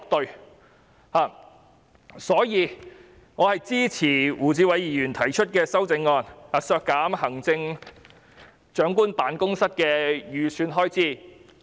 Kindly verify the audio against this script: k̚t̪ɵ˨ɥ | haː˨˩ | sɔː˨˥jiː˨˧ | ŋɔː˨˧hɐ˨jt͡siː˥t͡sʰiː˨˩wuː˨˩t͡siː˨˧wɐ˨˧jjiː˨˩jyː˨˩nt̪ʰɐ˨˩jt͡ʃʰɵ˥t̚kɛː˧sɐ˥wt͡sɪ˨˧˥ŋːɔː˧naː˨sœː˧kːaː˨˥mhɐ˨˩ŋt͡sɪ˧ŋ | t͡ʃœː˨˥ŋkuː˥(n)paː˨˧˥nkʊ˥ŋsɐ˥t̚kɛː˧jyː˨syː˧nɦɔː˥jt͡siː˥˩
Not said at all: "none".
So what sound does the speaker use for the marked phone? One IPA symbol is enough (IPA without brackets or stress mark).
n